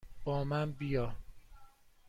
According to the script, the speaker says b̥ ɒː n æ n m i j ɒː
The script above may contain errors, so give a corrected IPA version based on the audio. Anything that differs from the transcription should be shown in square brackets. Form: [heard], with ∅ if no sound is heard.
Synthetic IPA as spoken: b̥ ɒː [m] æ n [b] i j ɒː